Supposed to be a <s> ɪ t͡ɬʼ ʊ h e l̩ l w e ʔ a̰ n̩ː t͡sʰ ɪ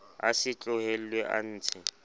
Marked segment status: correct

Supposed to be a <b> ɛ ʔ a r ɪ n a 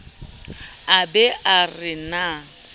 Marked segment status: correct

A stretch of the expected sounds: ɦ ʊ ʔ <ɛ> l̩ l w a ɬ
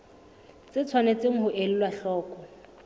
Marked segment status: incorrect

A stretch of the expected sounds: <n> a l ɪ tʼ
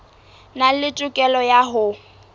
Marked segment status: correct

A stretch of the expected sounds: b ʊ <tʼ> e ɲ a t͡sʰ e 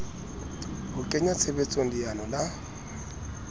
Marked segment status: incorrect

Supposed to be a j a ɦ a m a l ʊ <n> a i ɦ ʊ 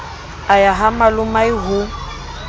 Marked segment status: incorrect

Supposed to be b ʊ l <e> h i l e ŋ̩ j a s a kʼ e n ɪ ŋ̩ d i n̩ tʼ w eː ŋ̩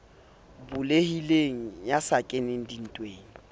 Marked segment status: correct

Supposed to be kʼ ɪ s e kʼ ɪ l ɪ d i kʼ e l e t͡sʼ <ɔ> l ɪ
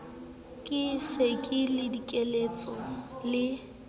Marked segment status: correct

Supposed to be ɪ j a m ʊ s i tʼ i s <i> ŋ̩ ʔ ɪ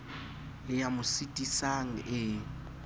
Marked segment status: incorrect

